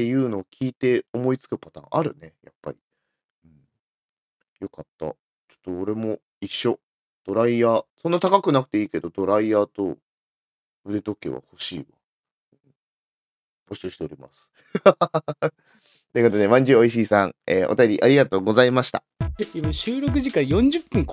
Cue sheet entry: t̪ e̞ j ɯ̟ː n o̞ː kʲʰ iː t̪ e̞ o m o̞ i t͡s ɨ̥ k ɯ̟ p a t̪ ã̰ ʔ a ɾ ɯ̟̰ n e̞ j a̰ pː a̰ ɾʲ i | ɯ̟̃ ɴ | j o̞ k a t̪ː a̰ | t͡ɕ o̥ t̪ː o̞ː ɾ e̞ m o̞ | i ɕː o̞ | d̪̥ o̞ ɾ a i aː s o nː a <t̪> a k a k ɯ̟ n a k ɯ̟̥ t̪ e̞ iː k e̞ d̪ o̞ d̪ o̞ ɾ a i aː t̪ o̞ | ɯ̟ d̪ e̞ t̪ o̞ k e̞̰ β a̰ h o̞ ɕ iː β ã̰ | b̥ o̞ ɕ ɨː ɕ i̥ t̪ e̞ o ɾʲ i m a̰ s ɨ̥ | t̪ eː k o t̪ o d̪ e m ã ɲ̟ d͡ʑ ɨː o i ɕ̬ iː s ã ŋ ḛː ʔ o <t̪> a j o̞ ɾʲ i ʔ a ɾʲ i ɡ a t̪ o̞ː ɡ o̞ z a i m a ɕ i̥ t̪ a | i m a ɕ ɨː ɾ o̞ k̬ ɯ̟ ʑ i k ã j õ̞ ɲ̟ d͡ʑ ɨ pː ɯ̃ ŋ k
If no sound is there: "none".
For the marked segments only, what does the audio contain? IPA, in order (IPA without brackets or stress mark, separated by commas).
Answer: t̪, t̪